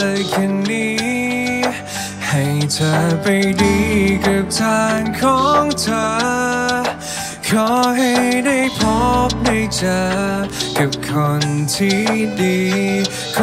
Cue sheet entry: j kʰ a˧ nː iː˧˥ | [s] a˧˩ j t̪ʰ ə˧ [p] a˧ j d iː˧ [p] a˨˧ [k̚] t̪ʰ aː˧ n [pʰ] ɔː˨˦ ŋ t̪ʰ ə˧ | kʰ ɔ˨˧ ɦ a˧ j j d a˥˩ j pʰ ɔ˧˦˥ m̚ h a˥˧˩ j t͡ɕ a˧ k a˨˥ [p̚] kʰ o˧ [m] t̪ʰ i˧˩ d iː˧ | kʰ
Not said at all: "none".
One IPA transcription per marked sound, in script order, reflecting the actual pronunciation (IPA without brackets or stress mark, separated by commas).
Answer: h, p, k, p̚, kʰ, p̚, n